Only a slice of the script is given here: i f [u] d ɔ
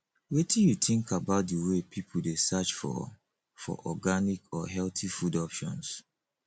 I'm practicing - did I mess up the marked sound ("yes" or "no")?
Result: no